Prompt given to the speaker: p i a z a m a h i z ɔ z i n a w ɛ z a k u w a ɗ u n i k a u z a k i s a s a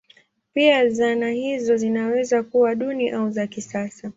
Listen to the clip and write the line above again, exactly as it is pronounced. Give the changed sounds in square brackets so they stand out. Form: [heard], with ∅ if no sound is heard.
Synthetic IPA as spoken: p i a z a [n] a h i z ɔ z i n a w ɛ z a k u w a ɗ u n i [ʔ] a u z a k i s a s a

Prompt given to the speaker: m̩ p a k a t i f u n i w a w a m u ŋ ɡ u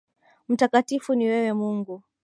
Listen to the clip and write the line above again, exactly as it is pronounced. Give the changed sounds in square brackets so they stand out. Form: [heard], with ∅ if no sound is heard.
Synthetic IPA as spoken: m̩ [t] a k a t i f u n i w [ɛ] w [ɛ] m u ŋ ɡ u

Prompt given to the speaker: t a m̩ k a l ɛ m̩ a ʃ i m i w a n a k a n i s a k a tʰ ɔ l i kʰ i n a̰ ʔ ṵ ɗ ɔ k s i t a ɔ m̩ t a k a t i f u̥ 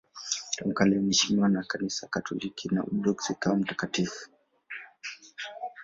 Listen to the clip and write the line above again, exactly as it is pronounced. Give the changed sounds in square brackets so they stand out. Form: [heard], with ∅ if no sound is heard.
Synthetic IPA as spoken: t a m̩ k a l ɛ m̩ [ɛ] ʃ i m i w a n a k a n i s a k a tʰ ɔ l i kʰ i n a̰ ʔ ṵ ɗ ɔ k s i [k] a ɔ m̩ t a k a t i f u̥

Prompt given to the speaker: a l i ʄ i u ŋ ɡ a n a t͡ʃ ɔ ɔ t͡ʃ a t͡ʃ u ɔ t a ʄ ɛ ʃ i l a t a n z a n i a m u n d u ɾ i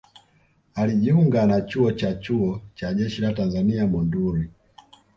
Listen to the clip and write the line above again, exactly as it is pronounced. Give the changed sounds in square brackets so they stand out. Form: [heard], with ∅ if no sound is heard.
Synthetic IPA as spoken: a l i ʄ i u ŋ ɡ a n a t͡ʃ [u] ɔ t͡ʃ a t͡ʃ u ɔ [t͡ʃ] a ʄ ɛ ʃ i l a t a n z a n i a m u n d u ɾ i

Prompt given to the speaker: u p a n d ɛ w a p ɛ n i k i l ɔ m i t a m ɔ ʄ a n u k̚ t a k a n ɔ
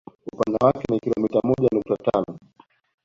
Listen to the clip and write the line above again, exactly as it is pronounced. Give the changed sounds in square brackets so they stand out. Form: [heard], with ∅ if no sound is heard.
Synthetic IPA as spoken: u p a n d [a] w a [k] ɛ n i k i l ɔ m i t a m ɔ ʄ a n u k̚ t a [t] a n ɔ

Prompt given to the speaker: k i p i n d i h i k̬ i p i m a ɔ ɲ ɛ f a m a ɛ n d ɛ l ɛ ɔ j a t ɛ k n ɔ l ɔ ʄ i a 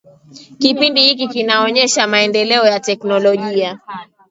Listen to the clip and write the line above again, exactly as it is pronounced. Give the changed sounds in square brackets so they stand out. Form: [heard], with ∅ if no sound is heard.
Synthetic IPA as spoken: k i p i n d i h i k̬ i [k] i [n] a ɔ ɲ ɛ [ʃ] a m a ɛ n d ɛ l ɛ ɔ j a t ɛ k n ɔ l ɔ ʄ i a

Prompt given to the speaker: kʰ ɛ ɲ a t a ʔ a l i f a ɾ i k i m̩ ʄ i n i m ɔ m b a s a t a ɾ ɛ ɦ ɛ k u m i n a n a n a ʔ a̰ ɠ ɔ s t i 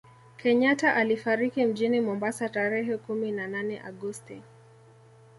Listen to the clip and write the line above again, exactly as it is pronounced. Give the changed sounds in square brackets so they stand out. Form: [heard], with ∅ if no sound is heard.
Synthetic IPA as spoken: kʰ ɛ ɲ a t a ʔ a l i f a ɾ i k i m̩ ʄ i n i m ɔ m b a s a t a ɾ ɛ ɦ ɛ k u m i n a n a n [ɛ] ʔ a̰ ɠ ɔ s t i

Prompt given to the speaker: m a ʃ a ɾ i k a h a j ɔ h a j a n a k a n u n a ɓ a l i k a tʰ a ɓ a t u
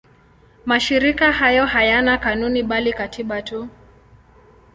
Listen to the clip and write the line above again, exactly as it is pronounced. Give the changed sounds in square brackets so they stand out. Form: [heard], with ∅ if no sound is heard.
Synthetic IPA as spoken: m a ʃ [i] ɾ i k a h a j ɔ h a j a n a k a n u n [i] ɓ a l i k a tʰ [i] ɓ a t u

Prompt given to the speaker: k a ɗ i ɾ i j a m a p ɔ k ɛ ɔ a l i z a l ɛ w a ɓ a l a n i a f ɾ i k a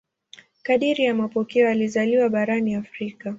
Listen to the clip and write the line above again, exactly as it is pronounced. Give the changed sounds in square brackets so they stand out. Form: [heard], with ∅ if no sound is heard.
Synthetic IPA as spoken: k a ɗ i ɾ i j a m a p ɔ k ɛ ɔ a l i z a l [i] w a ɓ a [ɾ] a n i a f ɾ i k a

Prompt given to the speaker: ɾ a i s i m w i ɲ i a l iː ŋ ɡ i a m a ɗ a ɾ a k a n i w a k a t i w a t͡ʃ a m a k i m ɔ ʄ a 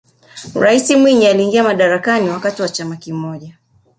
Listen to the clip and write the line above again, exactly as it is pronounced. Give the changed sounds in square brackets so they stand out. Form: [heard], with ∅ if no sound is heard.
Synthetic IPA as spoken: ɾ a i s i m w i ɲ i a l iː ŋ ɡ i a m a ɗ a ɾ a k a n i w a k a t i w a t͡ʃ a m a k i m ɔ ʄ a

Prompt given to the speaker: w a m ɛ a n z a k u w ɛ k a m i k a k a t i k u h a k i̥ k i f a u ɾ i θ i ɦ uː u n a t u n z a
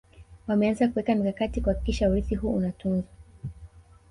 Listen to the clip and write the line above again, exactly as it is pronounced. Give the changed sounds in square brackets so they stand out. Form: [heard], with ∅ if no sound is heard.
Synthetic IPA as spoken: w a m ɛ a n z a k u w ɛ k a m i k a k a t i k u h a k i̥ k i [ʃ] a u ɾ i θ i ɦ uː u n a t u n z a

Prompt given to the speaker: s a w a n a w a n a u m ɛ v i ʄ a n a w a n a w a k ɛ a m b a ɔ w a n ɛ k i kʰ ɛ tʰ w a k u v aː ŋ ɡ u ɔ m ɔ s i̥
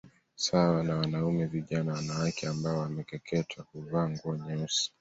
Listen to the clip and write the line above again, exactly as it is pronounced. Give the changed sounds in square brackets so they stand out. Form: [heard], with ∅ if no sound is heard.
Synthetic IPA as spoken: s a w a n a w a n a u m ɛ v i ʄ a n a w a n a w a k ɛ a m b a ɔ w a [m] ɛ k [ɛ] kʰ ɛ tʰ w a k u v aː ŋ ɡ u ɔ [ɲ] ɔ s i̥

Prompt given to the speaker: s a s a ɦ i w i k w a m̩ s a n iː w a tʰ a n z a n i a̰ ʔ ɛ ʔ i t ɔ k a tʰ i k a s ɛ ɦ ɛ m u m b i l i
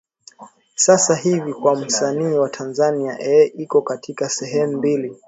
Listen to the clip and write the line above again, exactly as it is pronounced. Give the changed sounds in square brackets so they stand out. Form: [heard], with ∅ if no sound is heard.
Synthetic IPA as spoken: s a s a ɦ i [v] i k w a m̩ s a n iː w a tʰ a n z a n i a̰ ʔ ɛ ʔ i [k] ɔ k a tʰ i k a s ɛ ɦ ɛ m u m b i l i

